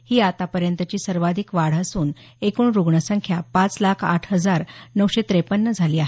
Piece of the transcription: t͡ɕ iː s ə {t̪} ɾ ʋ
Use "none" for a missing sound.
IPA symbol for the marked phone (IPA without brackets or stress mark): none